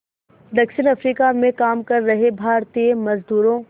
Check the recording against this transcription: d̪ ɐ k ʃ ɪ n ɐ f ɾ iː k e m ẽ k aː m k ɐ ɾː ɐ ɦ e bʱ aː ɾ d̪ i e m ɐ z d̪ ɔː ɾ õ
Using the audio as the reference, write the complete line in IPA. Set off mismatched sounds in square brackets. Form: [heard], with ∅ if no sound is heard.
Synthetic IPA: d̪ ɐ k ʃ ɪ n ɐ f ɾ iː k [a] m ẽ k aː m k ɐ ɾː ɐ ɦ e bʱ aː ɾ [t̪] i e m ɐ z d̪ [uː] ɾ õ

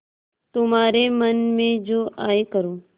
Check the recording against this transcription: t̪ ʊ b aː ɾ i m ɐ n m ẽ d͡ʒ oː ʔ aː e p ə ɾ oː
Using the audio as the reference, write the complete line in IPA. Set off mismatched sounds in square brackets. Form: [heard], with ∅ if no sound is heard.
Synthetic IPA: t̪ ʊ [m] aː ɾ [e] m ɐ n m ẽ d͡ʒ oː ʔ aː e [k] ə ɾ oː

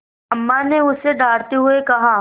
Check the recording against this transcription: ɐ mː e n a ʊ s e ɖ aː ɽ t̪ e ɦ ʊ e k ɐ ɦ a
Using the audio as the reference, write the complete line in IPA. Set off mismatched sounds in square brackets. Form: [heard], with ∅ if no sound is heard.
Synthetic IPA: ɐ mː [a] n [e] ʊ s e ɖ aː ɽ t̪ e ɦ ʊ e k ɐ ɦ a

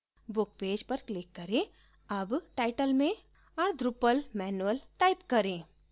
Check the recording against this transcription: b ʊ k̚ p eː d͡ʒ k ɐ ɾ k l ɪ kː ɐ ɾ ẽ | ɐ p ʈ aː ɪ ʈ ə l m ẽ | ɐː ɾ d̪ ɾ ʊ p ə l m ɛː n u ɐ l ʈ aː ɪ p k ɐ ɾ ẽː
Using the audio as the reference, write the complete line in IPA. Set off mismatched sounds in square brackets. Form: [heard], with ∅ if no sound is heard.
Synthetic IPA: b ʊ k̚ p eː d͡ʒ [p] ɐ ɾ k l ɪ kː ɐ ɾ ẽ | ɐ [b] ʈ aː ɪ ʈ ə l m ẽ | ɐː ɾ d̪ ɾ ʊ p ə l m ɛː n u [ə] l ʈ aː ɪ p k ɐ ɾ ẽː

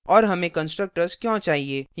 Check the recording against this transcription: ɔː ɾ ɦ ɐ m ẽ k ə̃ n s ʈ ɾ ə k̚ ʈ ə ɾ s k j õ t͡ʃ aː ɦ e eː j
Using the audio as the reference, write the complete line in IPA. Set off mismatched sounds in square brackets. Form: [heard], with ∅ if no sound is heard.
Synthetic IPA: ɔː ɾ ɦ ɐ m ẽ k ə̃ n s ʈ ɾ ə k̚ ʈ ə ɾ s k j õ t͡ʃ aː ɦ [i] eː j

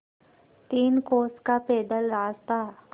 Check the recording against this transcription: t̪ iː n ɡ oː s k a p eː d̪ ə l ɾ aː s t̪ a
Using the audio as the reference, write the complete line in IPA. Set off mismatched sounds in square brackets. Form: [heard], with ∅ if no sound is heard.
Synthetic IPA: t̪ iː n [k] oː s k a p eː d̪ ə l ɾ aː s t̪ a

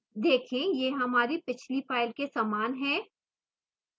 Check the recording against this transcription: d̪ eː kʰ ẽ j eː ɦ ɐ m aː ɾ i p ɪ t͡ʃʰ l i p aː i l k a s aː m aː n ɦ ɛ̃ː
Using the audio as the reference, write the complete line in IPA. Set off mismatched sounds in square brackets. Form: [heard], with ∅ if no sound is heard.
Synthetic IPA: d̪ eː kʰ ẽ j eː ɦ ɐ m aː ɾ i p ɪ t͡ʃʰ l i p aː [ɪ] l k [e] s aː m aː n ɦ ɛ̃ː

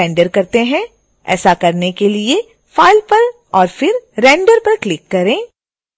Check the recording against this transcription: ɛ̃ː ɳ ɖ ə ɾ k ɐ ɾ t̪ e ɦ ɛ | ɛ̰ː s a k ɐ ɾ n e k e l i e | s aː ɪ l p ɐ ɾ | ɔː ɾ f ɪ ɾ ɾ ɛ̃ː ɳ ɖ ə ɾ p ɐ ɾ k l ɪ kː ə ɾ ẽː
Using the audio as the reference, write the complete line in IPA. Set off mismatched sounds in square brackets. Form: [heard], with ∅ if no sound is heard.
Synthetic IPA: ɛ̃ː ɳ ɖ ə ɾ k ɐ ɾ t̪ e ɦ [ɛ̃] | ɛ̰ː s a k ɐ ɾ n e k e l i e | [f] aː ɪ l p ɐ ɾ | ɔː ɾ f ɪ ɾ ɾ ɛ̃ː ɳ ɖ ə ɾ p ɐ ɾ k l ɪ kː [ɐ] ɾ ẽː

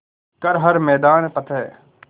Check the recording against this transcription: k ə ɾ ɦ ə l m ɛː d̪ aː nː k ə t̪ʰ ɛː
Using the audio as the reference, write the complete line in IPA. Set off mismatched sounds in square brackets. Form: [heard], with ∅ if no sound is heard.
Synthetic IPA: k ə ɾ ɦ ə [ɾ] m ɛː d̪ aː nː [p] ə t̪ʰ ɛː

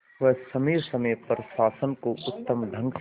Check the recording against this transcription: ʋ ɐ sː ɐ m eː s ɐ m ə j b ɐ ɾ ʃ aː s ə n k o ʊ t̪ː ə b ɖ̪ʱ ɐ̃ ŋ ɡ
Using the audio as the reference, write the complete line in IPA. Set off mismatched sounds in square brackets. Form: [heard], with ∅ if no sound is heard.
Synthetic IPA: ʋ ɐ [s] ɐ m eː s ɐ m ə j [p] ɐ ɾ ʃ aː s ə n k o ʊ t̪ː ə [m] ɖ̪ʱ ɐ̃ ŋ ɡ

